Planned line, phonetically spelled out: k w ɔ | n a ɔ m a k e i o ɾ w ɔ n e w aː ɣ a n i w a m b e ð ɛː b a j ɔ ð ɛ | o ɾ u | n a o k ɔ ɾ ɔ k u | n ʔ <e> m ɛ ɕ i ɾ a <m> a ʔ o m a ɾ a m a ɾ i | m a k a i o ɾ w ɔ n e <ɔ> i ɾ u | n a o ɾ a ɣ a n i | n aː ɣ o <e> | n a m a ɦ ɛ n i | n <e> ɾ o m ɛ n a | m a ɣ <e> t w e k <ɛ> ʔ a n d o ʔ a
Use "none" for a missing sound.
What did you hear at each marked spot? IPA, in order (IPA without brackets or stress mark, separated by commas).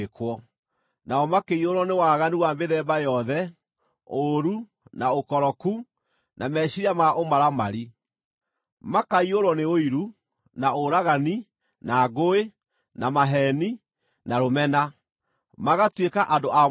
a, m, o, e, a, a, a